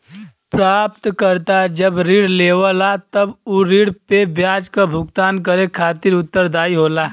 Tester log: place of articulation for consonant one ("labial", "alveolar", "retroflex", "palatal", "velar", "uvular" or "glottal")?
labial